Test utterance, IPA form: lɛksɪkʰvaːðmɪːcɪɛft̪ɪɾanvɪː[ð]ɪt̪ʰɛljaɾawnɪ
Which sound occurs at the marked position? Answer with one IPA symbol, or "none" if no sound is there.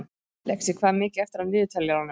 ð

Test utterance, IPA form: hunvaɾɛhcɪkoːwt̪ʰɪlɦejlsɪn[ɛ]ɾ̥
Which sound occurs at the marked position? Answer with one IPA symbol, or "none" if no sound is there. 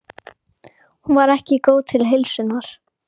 a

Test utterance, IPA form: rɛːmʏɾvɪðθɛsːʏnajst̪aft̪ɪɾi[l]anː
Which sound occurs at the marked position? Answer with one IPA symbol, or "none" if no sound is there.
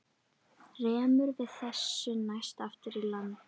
l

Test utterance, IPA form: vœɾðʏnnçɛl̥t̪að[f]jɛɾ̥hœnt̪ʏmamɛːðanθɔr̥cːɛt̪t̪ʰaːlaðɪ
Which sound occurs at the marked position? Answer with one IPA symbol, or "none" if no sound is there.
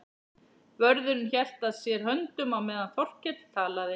s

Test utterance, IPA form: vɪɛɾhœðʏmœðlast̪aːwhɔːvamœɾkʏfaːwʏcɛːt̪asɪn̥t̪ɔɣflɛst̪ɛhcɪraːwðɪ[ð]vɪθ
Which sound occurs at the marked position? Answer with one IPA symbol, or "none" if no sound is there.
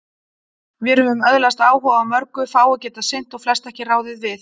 ð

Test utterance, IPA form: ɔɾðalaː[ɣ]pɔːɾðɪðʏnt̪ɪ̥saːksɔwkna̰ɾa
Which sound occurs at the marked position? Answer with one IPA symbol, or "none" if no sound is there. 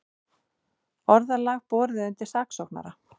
ɣ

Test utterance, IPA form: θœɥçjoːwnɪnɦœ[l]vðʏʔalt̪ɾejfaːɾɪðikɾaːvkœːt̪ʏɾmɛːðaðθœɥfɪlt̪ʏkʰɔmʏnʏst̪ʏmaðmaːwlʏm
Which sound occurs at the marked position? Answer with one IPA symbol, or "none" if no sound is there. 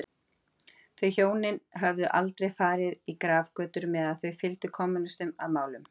none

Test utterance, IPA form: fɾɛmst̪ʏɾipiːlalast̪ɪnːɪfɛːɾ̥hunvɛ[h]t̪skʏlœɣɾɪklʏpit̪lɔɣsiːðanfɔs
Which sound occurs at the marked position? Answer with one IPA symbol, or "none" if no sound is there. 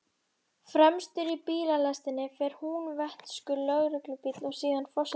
h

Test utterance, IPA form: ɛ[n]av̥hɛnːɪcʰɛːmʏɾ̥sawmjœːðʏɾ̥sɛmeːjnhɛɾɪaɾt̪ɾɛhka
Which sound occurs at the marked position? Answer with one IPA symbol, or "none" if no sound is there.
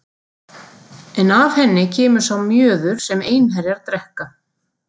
n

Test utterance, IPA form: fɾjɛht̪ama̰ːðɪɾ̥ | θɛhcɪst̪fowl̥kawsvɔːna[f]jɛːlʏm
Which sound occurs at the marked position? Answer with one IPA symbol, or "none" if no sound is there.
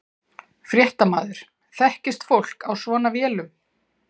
v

